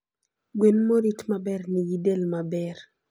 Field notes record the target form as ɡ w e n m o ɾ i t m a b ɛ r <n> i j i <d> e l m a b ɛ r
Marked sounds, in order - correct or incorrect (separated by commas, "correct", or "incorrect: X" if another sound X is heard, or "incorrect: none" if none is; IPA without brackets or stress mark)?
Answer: correct, correct